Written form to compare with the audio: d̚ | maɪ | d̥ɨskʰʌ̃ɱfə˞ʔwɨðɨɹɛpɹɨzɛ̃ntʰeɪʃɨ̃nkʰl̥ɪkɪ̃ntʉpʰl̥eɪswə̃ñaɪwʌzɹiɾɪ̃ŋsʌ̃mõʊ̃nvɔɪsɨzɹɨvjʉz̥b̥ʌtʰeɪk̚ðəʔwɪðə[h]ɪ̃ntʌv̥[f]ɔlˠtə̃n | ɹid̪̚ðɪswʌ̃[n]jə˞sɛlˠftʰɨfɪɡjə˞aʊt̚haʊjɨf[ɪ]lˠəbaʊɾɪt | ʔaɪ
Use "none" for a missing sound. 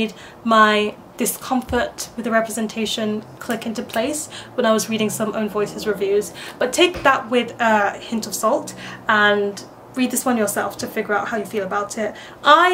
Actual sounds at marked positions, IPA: h, s, n, i

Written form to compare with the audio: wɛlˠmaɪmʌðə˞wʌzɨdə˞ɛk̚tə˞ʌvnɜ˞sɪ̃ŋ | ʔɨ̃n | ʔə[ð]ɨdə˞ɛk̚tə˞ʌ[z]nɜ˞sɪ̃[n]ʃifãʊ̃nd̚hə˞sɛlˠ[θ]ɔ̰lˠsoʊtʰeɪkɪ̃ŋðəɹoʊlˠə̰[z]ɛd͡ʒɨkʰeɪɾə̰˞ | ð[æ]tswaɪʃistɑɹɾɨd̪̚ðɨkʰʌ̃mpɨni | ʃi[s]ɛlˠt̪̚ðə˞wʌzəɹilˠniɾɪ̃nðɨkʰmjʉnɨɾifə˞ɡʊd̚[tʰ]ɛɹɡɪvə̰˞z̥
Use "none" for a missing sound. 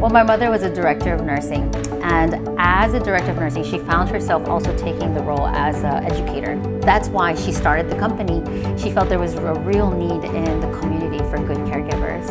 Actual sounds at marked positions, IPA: z, v, ŋ, f, z, æ, f, kʰ

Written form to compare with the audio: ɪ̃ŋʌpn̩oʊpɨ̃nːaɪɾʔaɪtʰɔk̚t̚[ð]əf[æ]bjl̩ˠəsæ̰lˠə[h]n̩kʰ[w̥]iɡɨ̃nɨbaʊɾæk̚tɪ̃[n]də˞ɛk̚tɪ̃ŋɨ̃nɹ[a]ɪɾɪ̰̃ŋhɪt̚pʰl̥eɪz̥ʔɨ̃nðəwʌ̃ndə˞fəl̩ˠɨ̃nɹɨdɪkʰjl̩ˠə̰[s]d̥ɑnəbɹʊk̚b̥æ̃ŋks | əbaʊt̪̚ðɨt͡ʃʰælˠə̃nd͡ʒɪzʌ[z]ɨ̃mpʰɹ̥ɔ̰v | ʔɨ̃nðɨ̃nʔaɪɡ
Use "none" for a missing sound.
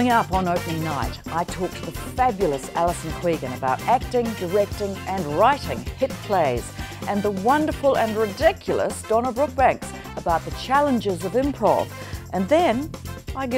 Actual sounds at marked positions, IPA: ð, æ, s, w̥, ŋ, a, s, v

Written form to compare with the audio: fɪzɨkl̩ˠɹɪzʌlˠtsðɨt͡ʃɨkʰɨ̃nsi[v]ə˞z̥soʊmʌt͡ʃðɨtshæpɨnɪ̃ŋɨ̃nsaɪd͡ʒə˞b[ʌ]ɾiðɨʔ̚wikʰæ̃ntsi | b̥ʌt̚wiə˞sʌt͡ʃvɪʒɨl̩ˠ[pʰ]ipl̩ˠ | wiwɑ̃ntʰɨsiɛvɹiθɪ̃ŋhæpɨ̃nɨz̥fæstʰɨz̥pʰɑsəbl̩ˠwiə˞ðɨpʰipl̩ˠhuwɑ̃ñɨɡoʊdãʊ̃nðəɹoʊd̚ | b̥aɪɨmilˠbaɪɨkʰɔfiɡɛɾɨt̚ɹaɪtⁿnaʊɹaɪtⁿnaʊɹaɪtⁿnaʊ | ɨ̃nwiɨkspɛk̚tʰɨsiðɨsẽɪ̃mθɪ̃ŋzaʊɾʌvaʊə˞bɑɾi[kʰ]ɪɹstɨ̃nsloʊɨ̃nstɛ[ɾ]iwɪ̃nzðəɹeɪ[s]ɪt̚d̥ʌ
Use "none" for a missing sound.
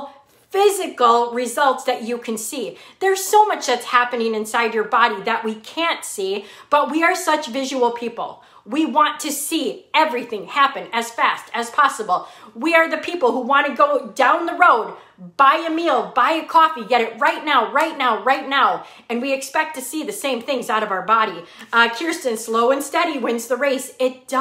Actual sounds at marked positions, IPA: ð, ɑ, pʰ, kʰ, ɾ, s

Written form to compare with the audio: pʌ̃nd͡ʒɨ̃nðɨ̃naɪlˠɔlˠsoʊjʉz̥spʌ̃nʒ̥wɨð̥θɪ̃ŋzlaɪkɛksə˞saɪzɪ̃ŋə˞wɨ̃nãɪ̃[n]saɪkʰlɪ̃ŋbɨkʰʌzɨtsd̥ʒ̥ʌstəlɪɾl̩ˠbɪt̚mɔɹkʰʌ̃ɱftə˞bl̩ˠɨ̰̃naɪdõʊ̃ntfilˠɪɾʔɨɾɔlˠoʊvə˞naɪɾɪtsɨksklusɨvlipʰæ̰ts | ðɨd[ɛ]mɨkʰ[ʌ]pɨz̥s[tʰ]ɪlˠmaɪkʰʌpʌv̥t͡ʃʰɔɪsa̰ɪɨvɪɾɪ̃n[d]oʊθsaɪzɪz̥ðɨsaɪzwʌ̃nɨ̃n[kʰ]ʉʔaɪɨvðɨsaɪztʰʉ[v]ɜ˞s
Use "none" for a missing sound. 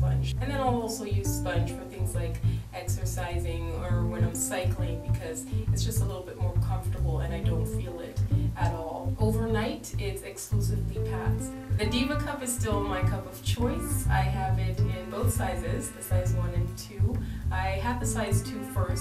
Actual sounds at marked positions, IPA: m, i, ʌ, t, b, tʰ, f

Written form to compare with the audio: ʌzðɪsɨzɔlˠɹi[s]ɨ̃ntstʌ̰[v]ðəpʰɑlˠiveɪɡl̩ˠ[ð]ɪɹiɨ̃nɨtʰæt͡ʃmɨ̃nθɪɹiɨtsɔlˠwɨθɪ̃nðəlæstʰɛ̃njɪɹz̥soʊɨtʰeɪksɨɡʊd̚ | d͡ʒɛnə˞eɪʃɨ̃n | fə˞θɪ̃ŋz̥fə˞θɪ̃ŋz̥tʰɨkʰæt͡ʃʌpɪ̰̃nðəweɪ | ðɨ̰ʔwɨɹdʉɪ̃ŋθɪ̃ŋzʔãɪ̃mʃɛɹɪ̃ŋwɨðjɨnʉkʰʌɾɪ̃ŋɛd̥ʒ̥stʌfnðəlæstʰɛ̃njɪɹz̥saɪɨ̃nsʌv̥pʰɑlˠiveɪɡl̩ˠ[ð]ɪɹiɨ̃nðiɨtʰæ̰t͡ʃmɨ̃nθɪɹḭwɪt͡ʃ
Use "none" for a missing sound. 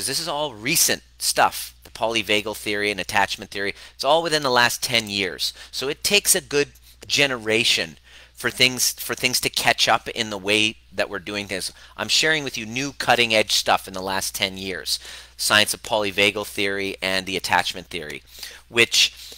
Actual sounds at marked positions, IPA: s, f, θ, θ

